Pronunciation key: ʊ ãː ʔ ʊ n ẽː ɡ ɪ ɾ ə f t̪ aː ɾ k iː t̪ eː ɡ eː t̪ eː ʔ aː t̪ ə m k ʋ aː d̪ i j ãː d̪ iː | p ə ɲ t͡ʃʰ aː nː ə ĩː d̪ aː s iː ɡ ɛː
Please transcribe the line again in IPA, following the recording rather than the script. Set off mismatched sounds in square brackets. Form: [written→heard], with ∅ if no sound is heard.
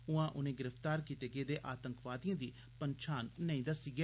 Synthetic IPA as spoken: ʊ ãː ʔ ʊ n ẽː ɡ ɪ ɾ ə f t̪ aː ɾ k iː t̪ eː ɡ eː [t̪→d̪] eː ʔ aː t̪ ə [m→ŋ] k ʋ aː d̪ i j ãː d̪ iː | p ə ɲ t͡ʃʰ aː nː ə ĩː d̪ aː s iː ɡ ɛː